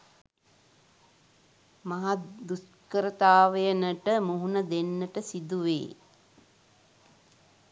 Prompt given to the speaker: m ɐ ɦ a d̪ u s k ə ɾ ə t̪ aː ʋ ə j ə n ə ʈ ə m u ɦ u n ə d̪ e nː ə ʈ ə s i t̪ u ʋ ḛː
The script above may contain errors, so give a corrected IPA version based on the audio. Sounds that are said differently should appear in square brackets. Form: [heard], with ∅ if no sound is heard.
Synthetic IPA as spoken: m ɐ ɦ a d̪ u s k ə ɾ ə t̪ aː ʋ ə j ə n ə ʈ ə m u ɦ u n ə d̪ e nː ə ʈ ə s i [d̪] u ʋ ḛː